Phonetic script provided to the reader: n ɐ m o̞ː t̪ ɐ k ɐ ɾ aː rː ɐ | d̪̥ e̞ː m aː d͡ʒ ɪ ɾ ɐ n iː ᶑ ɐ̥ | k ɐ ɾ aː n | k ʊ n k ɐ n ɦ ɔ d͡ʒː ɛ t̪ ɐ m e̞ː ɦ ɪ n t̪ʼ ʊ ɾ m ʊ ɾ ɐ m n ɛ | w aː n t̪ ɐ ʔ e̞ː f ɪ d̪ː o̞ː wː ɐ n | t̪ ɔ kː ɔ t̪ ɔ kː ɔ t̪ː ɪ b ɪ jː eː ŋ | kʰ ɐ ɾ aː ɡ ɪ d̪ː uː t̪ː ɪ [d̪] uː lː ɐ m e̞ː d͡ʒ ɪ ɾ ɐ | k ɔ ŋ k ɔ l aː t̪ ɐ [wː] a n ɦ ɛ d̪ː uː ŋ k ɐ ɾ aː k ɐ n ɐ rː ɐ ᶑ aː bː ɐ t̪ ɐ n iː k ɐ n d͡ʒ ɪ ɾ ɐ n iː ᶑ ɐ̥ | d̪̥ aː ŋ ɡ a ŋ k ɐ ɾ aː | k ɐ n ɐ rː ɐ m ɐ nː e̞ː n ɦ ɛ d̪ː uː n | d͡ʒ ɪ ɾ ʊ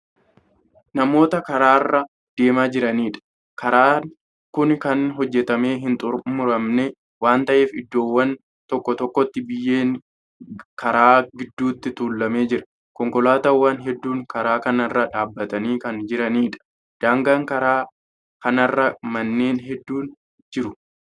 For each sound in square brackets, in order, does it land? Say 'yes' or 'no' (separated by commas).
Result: no, yes